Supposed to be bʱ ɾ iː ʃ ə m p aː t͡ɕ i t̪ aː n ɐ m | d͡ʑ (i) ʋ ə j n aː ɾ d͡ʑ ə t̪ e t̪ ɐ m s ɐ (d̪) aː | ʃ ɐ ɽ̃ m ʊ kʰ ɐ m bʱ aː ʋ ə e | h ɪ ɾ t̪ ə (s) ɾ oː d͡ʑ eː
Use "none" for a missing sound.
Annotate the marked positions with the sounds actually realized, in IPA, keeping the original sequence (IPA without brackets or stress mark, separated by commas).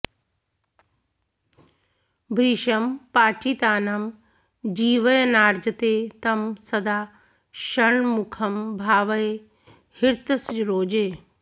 iː, d̪, s